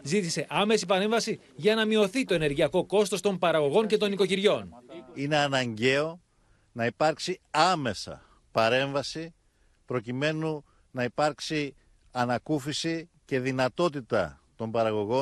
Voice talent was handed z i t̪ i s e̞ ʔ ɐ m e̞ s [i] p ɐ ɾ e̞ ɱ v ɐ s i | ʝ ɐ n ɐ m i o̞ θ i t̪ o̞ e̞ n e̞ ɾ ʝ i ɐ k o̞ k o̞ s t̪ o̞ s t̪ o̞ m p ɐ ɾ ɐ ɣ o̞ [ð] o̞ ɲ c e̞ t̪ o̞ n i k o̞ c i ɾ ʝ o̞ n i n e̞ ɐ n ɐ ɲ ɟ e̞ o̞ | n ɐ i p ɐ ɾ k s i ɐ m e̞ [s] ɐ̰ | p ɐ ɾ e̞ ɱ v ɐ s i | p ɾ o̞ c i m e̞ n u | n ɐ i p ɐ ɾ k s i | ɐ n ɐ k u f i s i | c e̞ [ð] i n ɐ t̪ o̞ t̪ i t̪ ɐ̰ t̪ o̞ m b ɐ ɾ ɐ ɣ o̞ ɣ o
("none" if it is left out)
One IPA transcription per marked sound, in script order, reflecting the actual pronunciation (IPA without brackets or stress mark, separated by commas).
i, ɣ, s, ð